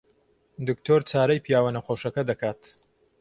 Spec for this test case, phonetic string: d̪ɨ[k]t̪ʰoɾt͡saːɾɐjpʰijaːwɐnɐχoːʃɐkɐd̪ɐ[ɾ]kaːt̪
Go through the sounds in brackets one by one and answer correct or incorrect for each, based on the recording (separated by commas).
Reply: correct, incorrect